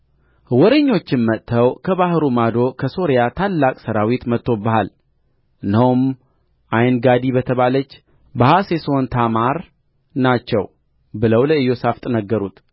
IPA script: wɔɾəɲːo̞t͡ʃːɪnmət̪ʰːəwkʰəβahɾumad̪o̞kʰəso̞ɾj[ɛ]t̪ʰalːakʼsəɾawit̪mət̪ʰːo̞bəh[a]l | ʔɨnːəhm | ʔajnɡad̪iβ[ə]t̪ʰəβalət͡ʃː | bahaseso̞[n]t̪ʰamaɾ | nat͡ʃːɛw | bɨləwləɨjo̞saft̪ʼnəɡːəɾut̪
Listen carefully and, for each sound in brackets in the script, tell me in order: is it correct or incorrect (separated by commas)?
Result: incorrect, correct, correct, correct